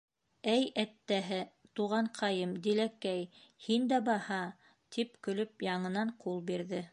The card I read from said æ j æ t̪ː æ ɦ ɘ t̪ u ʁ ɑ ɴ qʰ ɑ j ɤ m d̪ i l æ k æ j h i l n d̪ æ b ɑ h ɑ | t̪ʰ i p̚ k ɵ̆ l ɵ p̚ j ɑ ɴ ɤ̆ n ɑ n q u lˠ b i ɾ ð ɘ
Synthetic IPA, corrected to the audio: æ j æ t̪ː æ ɦ ɘ t̪ u ʁ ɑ ɴ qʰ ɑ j ɤ m d̪ i l æ k æ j h i n d̪ æ b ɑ h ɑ | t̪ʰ i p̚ k ɵ̆ l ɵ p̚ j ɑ ɴ ɤ̆ n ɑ ɴ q u lˠ b i ɾ ð ɘ